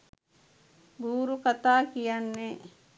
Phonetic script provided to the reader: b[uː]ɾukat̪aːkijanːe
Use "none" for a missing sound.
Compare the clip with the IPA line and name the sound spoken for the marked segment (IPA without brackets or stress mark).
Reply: uː